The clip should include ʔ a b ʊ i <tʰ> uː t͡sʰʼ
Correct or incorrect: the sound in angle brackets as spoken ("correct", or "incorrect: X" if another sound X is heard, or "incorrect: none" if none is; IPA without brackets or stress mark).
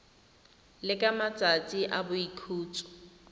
incorrect: kʰ